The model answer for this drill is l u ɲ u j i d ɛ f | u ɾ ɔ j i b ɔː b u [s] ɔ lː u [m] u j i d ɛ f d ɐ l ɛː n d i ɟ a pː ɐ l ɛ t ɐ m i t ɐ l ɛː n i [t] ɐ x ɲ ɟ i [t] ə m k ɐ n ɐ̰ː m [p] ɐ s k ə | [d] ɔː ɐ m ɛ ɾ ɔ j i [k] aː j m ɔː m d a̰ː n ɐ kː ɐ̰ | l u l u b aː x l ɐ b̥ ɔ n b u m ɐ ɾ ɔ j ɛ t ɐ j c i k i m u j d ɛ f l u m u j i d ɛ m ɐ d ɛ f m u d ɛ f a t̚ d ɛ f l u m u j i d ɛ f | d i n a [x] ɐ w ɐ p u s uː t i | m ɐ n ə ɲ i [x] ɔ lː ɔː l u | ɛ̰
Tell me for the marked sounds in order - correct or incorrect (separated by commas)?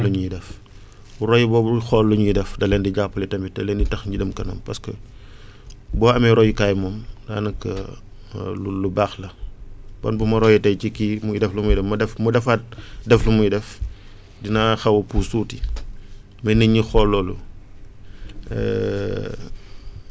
incorrect, incorrect, correct, incorrect, correct, incorrect, correct, correct, correct